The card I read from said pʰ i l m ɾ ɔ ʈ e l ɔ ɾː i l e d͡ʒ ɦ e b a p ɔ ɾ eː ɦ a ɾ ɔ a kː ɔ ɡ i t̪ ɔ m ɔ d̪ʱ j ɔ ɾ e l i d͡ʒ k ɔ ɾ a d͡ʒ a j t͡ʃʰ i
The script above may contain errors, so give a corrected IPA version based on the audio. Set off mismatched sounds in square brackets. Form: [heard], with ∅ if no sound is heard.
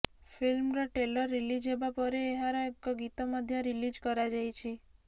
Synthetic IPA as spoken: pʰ i l m ɾ ɔ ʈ e l ɔ ɾː i l [i] d͡ʒ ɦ e b a p ɔ ɾ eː ɦ a ɾ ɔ [e] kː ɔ ɡ i t̪ ɔ m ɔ d̪ʱ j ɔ ɾ [i] l i d͡ʒ k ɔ ɾ a d͡ʒ a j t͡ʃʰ i